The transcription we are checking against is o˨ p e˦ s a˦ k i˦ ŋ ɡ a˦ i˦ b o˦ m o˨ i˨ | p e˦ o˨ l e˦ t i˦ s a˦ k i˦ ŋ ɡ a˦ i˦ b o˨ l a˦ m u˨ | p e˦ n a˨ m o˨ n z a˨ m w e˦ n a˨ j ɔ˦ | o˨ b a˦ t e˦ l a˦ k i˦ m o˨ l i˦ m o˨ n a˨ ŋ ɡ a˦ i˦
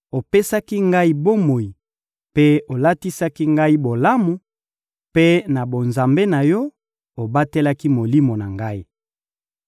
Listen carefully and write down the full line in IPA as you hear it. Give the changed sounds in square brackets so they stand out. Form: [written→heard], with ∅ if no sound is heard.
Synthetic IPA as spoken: o˨ p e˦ s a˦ k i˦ ŋ ɡ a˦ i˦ b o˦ m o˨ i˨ | p e˦ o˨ l [e˦→a˦] t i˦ s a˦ k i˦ ŋ ɡ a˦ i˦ b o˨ l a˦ m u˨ | p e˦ n a˨ [m→b] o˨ n z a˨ m [w→b] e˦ n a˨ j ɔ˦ | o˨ b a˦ t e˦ l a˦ k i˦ m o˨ l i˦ m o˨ n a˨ ŋ ɡ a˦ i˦